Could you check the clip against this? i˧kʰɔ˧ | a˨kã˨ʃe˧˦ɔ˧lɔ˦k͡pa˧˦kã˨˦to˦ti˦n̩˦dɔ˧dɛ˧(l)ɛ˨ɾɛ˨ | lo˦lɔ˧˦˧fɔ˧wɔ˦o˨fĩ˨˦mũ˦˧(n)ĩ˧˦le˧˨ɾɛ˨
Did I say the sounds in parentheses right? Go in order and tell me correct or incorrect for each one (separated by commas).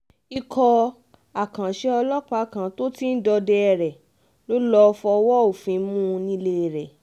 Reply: incorrect, correct